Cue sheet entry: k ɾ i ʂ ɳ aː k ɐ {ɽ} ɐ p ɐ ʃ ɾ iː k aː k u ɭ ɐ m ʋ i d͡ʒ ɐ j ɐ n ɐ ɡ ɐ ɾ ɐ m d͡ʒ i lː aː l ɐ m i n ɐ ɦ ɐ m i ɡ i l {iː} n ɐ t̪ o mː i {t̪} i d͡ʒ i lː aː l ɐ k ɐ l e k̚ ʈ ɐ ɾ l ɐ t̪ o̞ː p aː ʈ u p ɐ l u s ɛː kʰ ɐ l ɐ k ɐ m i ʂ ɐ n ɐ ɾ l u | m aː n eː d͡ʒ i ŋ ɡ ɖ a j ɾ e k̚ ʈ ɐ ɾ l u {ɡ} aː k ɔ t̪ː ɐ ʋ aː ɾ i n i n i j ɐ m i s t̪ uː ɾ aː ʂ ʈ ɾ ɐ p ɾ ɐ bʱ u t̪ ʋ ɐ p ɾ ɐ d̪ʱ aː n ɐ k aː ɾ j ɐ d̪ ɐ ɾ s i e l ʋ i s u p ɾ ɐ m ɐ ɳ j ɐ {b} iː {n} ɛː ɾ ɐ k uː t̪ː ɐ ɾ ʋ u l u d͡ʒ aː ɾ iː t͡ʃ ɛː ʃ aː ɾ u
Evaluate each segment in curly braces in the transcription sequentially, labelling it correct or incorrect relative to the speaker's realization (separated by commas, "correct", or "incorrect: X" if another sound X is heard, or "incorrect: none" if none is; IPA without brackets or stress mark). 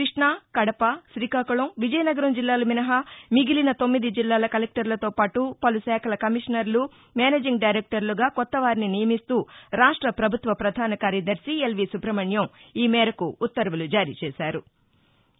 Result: correct, incorrect: i, incorrect: d̪, correct, incorrect: m, incorrect: m